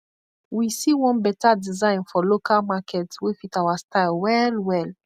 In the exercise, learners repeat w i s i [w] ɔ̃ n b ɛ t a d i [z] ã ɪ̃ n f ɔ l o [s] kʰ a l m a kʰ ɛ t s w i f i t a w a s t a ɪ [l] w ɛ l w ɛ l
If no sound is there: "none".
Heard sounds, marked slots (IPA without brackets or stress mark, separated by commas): w, z, none, l